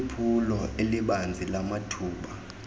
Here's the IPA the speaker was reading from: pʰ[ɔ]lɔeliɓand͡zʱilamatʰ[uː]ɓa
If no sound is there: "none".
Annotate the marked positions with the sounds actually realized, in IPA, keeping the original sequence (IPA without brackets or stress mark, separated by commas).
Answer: u, uː